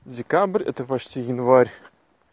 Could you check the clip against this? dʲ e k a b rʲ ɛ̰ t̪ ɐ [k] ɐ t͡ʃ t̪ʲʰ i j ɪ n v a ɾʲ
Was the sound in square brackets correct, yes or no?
no